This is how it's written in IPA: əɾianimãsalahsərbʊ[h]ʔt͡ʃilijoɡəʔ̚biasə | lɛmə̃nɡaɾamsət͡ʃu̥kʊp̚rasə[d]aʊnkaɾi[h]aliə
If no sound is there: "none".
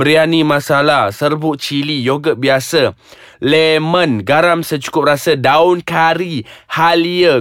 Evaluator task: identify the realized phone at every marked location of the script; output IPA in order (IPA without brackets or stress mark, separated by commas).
none, d, h